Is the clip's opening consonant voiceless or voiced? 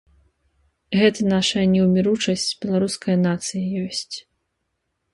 voiced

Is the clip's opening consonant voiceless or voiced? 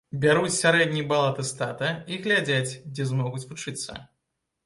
voiced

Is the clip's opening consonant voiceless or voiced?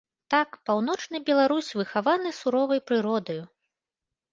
voiceless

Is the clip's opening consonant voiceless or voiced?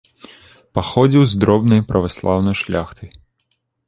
voiceless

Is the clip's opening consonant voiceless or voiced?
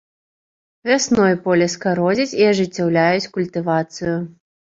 voiced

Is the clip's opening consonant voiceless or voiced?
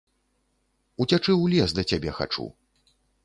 voiceless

